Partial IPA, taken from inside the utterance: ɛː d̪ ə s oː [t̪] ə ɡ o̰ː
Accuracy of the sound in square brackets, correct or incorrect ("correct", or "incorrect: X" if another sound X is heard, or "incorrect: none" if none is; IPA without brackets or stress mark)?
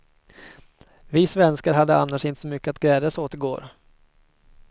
correct